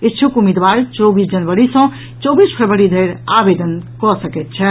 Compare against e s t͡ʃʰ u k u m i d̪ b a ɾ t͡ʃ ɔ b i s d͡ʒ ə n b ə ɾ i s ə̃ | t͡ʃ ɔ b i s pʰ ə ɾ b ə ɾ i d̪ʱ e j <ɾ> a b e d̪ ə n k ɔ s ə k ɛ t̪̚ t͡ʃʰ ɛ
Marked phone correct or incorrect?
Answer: correct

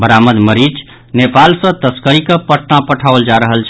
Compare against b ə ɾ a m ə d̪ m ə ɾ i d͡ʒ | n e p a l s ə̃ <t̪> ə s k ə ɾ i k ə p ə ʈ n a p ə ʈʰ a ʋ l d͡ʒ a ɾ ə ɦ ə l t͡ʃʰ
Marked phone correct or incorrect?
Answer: correct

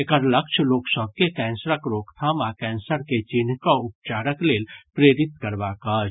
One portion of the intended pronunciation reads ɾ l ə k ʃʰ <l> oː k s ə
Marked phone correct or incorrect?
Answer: correct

